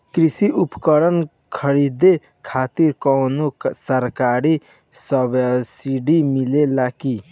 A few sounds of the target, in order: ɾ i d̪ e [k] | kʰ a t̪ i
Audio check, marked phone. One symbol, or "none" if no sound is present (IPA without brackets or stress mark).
none